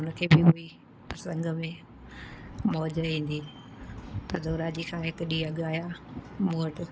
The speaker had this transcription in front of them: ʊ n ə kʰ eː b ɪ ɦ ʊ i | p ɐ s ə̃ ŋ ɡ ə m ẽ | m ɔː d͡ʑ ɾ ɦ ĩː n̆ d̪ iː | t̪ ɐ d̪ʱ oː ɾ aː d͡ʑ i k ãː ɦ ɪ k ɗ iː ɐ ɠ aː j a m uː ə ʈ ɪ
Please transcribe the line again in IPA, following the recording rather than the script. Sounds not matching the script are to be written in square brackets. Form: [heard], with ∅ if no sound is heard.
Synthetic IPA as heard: ʊ n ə kʰ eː b ɪ ɦ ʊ i | p ɐ s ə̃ ŋ ɡ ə m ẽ | m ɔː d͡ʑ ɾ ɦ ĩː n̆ d̪ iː | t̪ ɐ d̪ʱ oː ɾ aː d͡ʑ i [kʰ] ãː ɦ ɪ k ɗ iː ɐ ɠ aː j a m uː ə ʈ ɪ

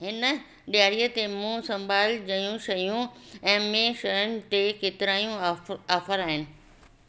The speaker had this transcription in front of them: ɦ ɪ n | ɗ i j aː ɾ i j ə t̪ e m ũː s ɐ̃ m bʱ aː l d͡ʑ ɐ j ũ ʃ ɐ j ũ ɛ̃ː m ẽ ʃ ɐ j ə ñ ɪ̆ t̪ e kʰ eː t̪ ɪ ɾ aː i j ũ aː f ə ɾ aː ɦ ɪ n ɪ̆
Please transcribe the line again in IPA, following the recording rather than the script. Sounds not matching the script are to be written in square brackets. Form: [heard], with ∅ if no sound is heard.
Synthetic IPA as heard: ɦ ɪ n | ɗ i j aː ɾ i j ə t̪ e m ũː s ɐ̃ m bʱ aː l d͡ʑ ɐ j ũ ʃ ɐ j ũ ɛ̃ː m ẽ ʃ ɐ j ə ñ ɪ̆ t̪ e [k] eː t̪ ɪ ɾ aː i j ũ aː f ə ɾ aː ɦ ɪ n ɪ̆

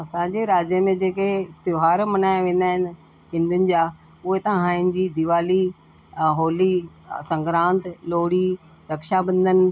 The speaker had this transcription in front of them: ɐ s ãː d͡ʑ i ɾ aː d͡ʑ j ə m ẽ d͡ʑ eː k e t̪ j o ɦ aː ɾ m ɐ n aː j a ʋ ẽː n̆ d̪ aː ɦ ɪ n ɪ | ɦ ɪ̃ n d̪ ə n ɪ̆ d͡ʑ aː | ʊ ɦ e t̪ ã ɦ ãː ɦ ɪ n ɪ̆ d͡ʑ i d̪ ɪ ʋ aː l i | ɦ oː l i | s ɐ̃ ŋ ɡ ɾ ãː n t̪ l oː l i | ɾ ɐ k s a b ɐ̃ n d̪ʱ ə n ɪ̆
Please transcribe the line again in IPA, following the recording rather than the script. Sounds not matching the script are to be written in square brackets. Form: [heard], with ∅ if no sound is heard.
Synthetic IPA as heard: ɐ s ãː d͡ʑ [e] ɾ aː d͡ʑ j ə m ẽ d͡ʑ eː k e t̪ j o ɦ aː ɾ m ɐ n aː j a ʋ ẽː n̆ d̪ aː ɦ ɪ n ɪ | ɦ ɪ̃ n d̪ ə n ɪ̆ d͡ʑ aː | ʊ ɦ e t̪ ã ɦ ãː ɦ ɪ n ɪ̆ d͡ʑ i d̪ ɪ ʋ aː l i | ɦ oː l i | s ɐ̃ ŋ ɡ ɾ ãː n t̪ l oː [ɽ] i | ɾ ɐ k [ʃ] a b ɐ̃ n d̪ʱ ə n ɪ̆

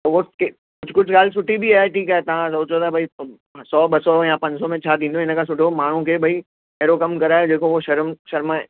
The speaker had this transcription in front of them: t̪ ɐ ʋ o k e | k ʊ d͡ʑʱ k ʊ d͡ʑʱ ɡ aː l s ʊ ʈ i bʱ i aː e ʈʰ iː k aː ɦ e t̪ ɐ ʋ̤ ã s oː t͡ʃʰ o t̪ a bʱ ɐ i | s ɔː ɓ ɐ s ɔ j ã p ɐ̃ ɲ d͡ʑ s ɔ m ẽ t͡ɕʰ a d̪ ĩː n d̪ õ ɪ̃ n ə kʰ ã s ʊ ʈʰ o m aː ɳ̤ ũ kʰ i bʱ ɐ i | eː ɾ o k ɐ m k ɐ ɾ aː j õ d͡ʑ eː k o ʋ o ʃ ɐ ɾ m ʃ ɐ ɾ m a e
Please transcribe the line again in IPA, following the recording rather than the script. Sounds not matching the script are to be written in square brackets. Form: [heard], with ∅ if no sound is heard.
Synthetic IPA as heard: t̪ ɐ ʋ o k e | k ʊ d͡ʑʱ k ʊ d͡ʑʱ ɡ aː l s ʊ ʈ i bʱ i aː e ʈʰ iː k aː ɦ e t̪ ɐ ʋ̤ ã s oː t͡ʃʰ o t̪ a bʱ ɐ i | s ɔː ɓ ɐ s ɔ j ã p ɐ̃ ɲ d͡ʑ s ɔ m ẽ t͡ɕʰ a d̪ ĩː n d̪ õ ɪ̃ n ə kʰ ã s ʊ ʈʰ o m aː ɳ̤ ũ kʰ [e] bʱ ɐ i | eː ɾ o k ɐ m k ɐ ɾ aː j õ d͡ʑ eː k o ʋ o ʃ ɐ ɾ m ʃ ɐ ɾ m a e

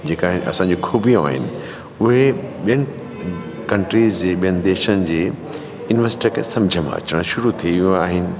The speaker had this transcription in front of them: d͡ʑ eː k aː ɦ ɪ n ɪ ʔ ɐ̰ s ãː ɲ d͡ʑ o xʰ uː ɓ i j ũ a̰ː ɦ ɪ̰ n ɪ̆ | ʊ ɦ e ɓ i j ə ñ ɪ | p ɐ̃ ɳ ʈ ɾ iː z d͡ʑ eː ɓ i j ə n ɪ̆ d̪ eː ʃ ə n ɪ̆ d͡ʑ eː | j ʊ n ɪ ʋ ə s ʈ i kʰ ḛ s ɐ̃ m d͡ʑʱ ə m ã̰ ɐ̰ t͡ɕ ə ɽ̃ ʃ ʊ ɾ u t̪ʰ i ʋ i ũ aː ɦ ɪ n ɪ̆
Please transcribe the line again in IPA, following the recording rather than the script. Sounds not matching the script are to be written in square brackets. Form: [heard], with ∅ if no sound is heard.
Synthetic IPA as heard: d͡ʑ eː k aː ɦ ɪ n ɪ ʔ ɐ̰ s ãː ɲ d͡ʑ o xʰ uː [b] i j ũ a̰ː ɦ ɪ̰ n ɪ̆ | ʊ ɦ e ɓ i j ə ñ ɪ | [k] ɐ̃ ɳ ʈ ɾ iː z d͡ʑ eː ɓ i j ə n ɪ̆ d̪ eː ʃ ə n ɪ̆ d͡ʑ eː | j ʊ n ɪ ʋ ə s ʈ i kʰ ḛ s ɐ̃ m d͡ʑʱ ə m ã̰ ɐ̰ t͡ɕ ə ɽ̃ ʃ ʊ ɾ u t̪ʰ i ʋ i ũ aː ɦ ɪ n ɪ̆

